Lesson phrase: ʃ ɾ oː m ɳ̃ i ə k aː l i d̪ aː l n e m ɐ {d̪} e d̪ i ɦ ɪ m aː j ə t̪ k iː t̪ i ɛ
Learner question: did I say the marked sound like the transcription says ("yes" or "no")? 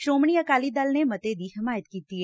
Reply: no